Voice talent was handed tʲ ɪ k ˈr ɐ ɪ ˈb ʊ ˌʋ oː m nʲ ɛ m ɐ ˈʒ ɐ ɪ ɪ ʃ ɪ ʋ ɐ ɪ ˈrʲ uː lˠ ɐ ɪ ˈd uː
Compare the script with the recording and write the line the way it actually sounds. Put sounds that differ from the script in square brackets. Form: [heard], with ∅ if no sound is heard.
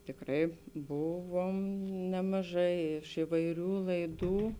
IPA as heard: tʲ ɪ k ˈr ɐ ɪ ˈb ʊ ˌʋ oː m nʲ ɛ m ɐ ˈʒ ɐ ɪ ɪ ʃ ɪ ʋ ɐ ɪ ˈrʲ uː lˠ ɐ ɪ ˈd uː